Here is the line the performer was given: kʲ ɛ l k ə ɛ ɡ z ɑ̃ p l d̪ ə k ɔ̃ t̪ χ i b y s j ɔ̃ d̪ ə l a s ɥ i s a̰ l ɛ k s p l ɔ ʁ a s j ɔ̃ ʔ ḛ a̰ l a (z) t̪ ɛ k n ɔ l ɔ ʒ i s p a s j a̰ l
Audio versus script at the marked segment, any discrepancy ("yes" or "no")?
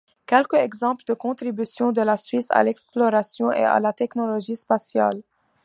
yes